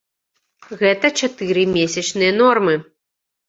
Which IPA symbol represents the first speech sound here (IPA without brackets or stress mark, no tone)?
ɣ